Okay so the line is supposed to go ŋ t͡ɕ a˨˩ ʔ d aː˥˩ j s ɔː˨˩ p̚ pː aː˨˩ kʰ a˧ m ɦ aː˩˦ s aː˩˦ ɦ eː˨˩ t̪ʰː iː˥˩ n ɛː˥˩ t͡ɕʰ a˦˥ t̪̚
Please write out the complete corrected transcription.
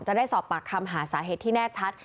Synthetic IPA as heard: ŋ t͡ɕ a˨˩ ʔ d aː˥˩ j s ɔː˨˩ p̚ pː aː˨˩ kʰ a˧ m ɦ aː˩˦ s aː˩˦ ɦ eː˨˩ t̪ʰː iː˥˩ n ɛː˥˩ t͡ɕʰ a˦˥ t̪̚